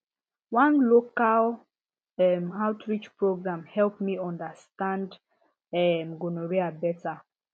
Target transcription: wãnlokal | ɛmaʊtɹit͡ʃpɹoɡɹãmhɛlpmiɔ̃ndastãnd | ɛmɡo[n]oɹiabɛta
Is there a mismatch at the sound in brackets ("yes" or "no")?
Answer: no